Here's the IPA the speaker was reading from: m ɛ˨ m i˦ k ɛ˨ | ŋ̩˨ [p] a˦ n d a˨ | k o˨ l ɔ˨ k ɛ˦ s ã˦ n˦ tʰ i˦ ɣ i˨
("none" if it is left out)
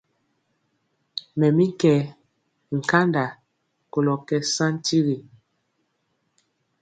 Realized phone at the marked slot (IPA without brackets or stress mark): k